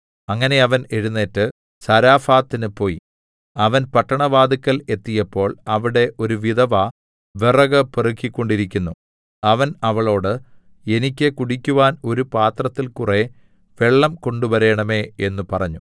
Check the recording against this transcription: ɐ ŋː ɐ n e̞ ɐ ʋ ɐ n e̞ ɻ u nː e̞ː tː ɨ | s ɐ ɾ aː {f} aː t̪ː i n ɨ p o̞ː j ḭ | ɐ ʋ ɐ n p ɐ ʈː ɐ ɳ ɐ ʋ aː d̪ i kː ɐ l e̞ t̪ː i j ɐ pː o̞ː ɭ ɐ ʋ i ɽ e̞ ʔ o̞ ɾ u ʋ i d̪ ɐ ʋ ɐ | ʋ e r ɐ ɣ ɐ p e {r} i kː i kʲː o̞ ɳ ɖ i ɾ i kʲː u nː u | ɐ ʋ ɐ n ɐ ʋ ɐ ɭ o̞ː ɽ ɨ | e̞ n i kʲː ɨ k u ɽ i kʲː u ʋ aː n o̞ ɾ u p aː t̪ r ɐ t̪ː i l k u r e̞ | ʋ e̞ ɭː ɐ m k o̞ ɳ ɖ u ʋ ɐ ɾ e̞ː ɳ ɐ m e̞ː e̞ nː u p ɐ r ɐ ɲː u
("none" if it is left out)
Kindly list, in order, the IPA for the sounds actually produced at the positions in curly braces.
f, r

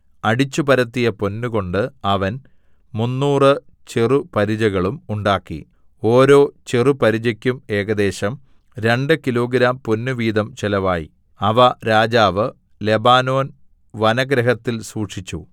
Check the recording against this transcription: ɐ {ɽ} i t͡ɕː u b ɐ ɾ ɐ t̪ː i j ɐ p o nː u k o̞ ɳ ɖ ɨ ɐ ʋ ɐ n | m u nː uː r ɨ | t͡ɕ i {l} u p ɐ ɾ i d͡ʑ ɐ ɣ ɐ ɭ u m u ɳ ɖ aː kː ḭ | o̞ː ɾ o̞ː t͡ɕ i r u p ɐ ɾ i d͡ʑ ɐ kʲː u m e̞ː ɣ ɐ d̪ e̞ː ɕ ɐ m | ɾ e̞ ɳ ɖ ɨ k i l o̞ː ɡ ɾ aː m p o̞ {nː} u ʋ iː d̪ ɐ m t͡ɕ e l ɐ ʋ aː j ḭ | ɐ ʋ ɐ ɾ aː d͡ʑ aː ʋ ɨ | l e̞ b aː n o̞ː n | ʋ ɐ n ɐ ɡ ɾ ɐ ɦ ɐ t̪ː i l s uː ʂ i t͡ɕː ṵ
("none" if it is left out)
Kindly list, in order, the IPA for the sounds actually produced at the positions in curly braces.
ɽ, r, nː

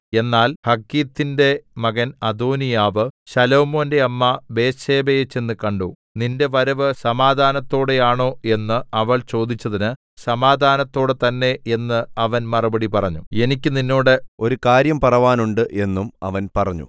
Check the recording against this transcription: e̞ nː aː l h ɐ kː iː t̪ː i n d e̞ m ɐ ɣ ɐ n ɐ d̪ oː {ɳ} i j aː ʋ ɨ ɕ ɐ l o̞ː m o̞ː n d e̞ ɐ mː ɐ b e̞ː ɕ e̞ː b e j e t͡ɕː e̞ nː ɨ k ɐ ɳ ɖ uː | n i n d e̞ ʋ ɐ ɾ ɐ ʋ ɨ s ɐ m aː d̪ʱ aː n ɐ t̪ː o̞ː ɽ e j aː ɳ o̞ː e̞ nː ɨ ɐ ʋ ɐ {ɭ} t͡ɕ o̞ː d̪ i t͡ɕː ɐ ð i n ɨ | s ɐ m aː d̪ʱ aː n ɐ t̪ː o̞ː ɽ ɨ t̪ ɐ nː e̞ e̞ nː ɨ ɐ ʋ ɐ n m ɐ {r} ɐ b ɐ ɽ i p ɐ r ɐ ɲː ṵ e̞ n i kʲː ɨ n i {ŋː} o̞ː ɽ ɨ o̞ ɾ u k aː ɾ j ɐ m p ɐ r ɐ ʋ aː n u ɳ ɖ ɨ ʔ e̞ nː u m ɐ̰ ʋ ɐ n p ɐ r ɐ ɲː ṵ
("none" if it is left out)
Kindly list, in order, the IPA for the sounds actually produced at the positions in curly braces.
n, ɭ, r, nː

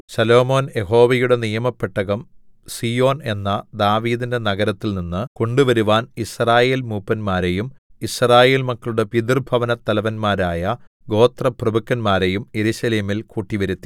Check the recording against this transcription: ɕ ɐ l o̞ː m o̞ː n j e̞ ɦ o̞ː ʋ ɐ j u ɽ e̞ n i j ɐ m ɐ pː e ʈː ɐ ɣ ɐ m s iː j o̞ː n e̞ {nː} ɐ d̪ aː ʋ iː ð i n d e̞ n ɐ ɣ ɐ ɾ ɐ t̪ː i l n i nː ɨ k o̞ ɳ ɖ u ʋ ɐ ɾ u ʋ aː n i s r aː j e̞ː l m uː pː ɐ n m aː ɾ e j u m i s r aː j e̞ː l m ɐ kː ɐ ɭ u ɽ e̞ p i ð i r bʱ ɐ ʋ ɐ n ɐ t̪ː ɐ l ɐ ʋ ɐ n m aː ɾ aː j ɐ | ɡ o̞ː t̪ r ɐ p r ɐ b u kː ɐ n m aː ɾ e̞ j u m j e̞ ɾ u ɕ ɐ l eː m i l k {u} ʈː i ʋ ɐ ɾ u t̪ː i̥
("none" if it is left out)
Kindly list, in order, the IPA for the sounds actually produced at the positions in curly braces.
nː, uː

